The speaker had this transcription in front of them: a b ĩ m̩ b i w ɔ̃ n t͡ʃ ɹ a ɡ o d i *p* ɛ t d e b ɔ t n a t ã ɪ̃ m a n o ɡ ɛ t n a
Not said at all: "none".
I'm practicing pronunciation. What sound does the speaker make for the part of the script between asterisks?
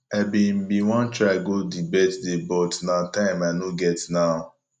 b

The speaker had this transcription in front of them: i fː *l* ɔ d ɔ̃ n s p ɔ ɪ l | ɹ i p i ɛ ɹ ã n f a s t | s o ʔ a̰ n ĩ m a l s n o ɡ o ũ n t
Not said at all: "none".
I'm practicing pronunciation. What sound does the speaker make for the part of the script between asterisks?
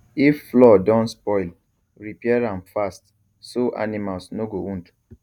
l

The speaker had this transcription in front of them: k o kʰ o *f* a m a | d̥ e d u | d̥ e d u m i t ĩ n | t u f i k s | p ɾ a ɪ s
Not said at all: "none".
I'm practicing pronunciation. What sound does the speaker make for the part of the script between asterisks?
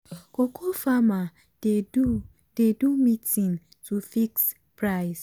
f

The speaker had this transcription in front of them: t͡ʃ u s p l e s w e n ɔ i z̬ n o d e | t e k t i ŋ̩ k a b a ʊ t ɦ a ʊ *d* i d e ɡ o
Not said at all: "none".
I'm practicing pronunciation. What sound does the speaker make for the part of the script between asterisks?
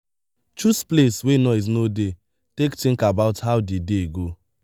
d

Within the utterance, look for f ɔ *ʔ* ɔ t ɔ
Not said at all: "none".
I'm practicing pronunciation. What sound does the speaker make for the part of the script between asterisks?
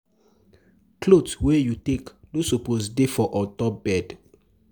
ʔ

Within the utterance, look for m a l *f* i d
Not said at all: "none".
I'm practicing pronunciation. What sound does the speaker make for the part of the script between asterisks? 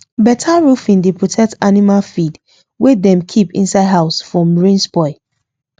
f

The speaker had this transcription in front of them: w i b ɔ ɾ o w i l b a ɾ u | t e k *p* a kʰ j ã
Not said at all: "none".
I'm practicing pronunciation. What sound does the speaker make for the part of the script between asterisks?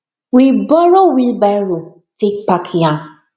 p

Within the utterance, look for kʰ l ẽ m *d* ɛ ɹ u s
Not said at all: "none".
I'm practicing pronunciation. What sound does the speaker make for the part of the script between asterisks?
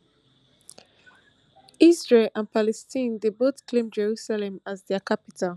d͡ʒ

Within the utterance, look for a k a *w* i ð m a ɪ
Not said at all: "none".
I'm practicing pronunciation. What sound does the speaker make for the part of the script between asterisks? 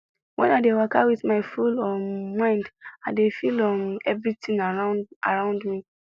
w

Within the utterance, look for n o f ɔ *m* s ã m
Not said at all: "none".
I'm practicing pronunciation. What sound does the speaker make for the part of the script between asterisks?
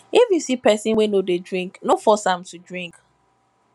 none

